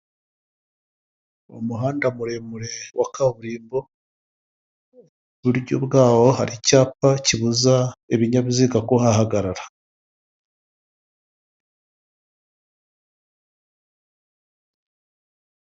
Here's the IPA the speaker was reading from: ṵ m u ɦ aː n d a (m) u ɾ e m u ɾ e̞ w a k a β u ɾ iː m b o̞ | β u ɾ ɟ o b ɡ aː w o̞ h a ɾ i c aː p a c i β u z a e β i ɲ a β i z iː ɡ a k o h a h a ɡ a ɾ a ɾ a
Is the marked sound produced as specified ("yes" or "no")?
yes